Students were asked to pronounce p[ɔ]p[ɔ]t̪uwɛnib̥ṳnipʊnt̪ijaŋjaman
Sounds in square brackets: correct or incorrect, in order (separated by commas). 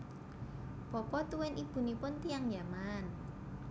correct, correct